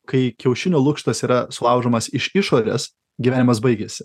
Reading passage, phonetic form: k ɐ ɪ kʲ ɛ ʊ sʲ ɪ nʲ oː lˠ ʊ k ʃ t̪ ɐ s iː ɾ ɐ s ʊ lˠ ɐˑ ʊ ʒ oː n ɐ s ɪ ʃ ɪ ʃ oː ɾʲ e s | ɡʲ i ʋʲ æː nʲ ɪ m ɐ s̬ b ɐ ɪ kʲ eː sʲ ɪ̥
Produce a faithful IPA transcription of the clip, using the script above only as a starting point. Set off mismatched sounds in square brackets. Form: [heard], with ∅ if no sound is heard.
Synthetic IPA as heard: k ɐ ɪ kʲ ɛ ʊ [ʃʲ] ɪ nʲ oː lˠ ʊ k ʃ t̪ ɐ s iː ɾ ɐ s ʊ lˠ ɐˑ ʊ ʒ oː [m] ɐ s ɪ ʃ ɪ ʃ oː ɾʲ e s | ɡʲ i ʋʲ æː nʲ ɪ m ɐ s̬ b ɐ ɪ [ɡʲ] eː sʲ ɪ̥